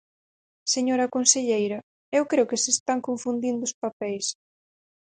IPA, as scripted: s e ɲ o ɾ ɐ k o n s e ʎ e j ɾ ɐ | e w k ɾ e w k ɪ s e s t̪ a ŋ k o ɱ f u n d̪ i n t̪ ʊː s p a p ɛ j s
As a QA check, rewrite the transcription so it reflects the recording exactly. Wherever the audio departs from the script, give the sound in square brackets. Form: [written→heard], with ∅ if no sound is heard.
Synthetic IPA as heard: s e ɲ o ɾ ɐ k o n s e ʎ e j ɾ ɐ | e w k ɾ e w k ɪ s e s t̪ a ŋ k o ɱ f u n d̪ i n [t̪→d̪] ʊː s p a p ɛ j s